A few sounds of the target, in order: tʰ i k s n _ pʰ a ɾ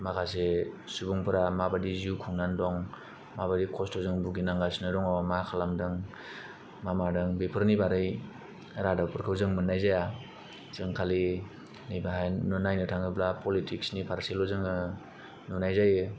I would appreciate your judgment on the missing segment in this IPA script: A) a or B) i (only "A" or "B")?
B